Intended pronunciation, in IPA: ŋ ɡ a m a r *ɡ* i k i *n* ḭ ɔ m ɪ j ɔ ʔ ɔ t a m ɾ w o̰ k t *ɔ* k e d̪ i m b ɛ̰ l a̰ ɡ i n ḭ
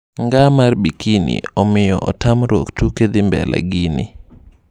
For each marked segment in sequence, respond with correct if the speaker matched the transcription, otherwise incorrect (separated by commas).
incorrect, correct, incorrect